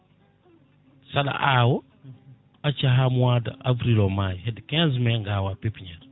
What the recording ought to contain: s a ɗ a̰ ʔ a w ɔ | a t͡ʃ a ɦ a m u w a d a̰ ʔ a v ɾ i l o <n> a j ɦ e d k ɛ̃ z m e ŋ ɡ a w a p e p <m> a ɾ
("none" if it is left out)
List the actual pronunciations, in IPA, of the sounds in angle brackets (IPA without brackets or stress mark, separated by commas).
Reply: m, ɲ